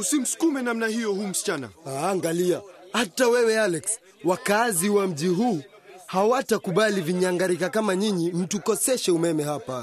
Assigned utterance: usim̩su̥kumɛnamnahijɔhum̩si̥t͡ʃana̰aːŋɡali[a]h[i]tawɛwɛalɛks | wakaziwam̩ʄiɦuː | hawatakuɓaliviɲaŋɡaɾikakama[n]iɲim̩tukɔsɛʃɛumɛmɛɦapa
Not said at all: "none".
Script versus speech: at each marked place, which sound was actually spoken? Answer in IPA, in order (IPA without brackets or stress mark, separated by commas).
a, a, ɲ